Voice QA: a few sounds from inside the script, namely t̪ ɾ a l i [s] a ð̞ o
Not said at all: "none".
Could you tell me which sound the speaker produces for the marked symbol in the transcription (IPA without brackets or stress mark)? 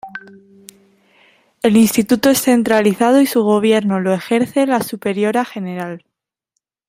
θ